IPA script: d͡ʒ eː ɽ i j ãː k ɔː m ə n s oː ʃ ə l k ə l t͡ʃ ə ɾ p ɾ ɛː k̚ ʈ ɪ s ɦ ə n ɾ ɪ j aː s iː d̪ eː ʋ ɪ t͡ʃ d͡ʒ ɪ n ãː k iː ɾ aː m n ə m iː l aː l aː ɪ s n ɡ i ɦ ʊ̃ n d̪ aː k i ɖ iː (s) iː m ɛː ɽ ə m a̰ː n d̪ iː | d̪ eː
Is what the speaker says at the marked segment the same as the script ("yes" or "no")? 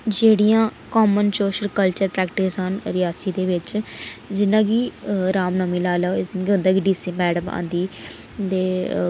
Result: yes